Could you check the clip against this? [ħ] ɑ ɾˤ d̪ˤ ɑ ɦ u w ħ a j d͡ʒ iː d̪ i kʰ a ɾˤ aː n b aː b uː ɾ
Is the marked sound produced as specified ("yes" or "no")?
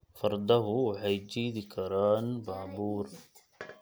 no